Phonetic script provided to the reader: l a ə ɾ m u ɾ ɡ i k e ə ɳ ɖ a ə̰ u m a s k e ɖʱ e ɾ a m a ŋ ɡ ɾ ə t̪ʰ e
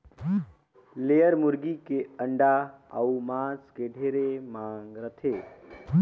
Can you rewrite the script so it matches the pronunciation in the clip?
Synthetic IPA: l e ə ɾ m u ɾ ɡ i k e ə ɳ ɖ a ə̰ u m a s k e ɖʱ e ɾ e m a ŋ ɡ ɾ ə t̪ʰ e